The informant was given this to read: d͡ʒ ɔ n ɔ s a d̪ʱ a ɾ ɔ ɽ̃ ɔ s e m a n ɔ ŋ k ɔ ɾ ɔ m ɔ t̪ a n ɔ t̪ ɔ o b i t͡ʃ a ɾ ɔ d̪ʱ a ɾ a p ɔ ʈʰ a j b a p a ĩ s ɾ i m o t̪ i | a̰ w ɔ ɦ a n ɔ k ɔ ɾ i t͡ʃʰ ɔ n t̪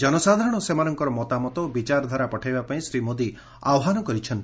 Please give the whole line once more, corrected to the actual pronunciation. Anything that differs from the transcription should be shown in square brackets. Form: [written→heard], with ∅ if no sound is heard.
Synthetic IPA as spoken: d͡ʒ ɔ n ɔ s a d̪ʱ a ɾ ɔ ɽ̃ ɔ s e m a n ɔ ŋ k ɔ ɾ ɔ m ɔ t̪ a [n→m] ɔ t̪ ɔ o b i t͡ʃ a ɾ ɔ d̪ʱ a ɾ a p ɔ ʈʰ a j b a p a ĩ s ɾ i m o [t̪→d̪] i | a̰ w ɔ ɦ a n ɔ k ɔ ɾ i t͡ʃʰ ɔ n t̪